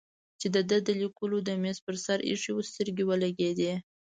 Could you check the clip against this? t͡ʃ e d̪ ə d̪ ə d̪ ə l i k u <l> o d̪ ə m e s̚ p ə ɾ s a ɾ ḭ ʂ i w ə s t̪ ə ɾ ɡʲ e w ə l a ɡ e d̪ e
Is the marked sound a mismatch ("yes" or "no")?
no